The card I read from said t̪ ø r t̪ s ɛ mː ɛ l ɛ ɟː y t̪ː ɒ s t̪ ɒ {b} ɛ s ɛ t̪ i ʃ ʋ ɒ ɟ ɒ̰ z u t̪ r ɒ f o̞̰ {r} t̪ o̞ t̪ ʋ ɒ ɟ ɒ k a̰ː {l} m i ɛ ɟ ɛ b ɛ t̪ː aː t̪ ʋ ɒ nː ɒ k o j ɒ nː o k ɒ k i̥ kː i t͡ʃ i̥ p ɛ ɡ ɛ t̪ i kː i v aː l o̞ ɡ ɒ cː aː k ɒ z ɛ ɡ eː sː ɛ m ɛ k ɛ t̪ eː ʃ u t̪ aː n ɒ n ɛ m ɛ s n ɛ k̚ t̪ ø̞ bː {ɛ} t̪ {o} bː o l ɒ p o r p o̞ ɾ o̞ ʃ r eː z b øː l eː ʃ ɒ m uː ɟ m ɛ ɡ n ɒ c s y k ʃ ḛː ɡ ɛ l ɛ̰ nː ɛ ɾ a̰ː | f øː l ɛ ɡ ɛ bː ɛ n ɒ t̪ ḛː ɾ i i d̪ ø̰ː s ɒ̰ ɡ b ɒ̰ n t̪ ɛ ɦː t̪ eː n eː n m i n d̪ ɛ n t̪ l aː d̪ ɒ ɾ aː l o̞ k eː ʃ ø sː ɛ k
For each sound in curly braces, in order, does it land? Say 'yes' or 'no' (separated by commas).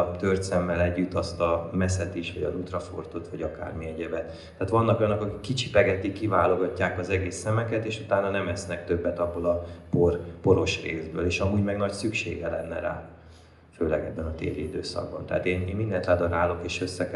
no, yes, no, yes, no